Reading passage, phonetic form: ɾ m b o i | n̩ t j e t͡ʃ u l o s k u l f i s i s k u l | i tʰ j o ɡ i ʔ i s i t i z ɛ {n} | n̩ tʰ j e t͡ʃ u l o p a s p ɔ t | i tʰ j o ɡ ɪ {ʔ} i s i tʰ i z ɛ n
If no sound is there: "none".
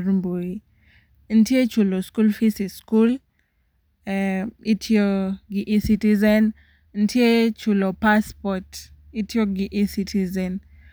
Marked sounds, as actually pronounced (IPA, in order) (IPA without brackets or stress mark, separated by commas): n, ʔ